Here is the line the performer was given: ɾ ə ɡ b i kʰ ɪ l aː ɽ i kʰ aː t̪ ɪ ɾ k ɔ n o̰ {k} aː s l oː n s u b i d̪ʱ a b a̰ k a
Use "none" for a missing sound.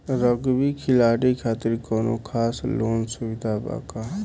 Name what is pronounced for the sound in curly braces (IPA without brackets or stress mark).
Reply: kʰ